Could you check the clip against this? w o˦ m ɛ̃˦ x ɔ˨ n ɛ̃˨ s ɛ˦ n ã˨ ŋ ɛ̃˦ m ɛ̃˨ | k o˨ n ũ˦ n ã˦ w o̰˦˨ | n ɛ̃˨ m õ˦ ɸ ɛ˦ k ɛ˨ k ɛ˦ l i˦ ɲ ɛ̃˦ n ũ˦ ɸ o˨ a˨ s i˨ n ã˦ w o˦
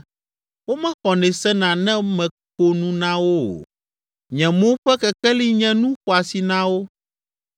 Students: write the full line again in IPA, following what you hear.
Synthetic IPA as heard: w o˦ m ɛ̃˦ x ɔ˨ n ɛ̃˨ s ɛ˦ n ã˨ n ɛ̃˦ m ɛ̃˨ | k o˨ n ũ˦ n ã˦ w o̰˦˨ | ɲ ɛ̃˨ m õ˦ ɸ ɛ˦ k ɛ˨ k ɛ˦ l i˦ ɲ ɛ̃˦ n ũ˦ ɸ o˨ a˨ s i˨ n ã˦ w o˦